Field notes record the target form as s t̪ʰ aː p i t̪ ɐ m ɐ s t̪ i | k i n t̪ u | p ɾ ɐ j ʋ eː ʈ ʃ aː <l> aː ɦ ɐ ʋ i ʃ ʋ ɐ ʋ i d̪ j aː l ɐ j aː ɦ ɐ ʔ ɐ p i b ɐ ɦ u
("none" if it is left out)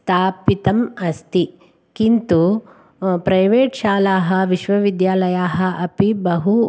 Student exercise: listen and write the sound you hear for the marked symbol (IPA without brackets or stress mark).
l